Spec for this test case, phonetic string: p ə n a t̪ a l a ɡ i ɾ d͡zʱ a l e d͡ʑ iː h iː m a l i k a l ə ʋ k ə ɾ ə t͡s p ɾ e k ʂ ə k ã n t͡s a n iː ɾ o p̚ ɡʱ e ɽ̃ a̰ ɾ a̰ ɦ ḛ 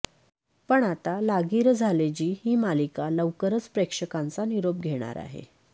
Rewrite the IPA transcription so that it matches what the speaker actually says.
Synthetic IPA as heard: p ə ɳ a t̪ a l a ɡ i ɾ d͡zʱ a l e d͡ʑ iː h iː m a l i k a l ə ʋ k ə ɾ ə t͡s p ɾ e k ʂ ə k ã n t͡s a n i ɾ o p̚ ɡʱ e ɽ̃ a̰ ɾ a̰ ɦ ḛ